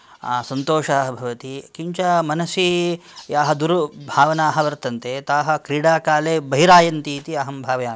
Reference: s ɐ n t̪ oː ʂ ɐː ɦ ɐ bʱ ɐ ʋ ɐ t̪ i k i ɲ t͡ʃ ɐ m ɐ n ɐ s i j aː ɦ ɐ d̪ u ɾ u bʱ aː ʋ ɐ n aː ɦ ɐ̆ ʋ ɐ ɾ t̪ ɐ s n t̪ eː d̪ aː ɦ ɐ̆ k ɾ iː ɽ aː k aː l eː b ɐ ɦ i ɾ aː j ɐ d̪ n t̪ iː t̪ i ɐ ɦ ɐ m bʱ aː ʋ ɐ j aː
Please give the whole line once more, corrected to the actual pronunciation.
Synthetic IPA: s ɐ n t̪ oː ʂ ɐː ɦ ɐ bʱ ɐ ʋ ɐ t̪ i k i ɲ t͡ʃ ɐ m ɐ n ɐ s i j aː ɦ ɐ d̪ u ɾ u bʱ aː ʋ ɐ n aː ɦ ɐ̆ ʋ ɐ ɾ t̪ ɐ n t̪ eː t̪ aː ɦ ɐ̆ k ɾ iː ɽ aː k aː l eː b ɐ ɦ i ɾ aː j ɐ n t̪ iː t̪ i ɐ ɦ ɐ m bʱ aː ʋ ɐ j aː

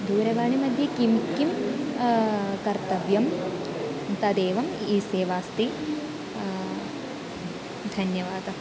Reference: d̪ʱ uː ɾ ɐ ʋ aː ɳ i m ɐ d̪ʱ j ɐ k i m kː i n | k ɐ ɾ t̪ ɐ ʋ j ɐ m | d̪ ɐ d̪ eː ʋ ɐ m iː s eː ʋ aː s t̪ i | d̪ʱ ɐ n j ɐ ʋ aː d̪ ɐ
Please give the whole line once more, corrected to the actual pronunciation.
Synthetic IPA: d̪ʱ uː ɾ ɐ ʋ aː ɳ i m ɐ d̪ʱ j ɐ k i m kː i m | k ɐ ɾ t̪ ɐ ʋ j ɐ m | t̪ ɐ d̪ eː ʋ ɐ m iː s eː ʋ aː s t̪ i | d̪ʱ ɐ n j ɐ ʋ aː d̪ ɐ

